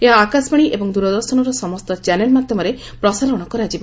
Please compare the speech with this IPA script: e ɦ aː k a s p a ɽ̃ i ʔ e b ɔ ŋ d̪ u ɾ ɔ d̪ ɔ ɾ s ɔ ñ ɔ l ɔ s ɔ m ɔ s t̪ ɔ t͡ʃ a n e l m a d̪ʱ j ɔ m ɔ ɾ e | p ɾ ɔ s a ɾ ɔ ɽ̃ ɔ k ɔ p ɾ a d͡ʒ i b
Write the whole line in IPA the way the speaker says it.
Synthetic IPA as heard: e ɦ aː k a s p a ɽ̃ i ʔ e b ɔ ŋ d̪ u ɾ ɔ d̪ ɔ ɾ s ɔ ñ ɔ ɾ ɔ s ɔ m ɔ s t̪ ɔ t͡ʃ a n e l m a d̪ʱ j ɔ m ɔ ɾ e | p ɾ ɔ s a ɾ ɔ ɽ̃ ɔ k ɔ ɾ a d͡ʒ i b